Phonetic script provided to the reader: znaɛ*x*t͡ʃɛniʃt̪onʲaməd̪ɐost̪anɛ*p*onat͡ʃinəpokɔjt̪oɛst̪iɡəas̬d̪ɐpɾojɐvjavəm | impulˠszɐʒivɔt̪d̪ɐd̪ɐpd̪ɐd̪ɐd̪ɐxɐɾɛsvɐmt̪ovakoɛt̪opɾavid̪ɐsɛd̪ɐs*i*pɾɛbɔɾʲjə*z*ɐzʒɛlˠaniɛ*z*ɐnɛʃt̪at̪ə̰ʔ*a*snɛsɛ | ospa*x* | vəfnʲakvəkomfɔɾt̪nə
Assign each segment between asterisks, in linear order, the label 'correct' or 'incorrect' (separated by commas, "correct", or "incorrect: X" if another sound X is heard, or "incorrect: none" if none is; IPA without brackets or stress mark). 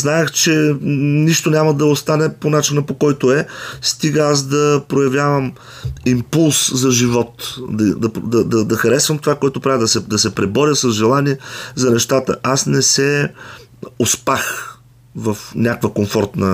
correct, correct, incorrect: ɛ, incorrect: s, correct, correct, correct